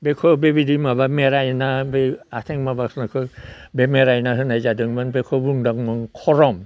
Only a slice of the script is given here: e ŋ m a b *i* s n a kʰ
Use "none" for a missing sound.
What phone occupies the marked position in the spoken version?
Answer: a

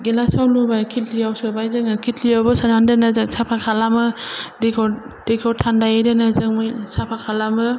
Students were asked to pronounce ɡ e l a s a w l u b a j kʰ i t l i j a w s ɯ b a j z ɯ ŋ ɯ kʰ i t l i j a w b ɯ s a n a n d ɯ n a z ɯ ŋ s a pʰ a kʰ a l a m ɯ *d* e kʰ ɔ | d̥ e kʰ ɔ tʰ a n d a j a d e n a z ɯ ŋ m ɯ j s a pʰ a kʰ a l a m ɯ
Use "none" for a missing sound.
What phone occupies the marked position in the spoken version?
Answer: d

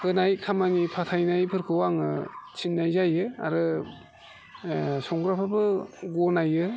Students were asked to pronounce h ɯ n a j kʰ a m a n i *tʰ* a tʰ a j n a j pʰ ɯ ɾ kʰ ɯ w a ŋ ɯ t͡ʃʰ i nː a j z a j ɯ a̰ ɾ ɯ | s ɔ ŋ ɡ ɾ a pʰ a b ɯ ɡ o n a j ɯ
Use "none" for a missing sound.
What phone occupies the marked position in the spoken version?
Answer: pʰ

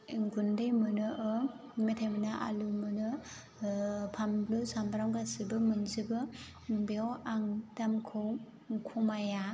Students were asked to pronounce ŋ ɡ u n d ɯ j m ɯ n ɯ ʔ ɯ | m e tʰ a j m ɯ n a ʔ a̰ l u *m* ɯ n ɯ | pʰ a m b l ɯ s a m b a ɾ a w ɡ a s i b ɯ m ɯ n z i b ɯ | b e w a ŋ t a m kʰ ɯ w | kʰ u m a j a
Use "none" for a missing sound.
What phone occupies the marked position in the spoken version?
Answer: m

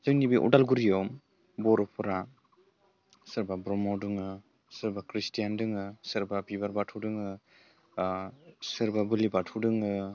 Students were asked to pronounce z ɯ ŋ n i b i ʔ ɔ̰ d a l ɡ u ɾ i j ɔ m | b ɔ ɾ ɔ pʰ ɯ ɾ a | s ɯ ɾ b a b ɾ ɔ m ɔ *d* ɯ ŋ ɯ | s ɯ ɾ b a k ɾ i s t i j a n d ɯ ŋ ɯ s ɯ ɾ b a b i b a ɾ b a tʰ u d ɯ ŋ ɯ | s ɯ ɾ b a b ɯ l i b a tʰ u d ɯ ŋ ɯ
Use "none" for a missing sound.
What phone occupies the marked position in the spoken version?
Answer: d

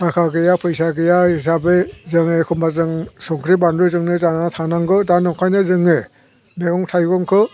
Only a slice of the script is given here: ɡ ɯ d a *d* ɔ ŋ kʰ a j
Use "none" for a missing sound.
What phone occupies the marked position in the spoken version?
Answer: n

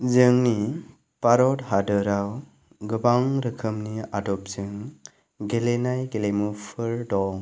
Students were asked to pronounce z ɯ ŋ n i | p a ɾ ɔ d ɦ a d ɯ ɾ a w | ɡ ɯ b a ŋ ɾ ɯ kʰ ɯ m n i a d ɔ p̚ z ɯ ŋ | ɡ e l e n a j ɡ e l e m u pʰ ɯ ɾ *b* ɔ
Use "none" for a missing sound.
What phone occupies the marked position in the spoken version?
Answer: d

